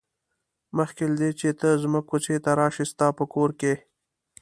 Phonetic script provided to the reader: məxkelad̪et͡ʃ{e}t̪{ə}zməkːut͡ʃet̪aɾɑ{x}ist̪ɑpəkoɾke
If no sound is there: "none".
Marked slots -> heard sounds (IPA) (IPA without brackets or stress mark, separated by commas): e, ə, ʃ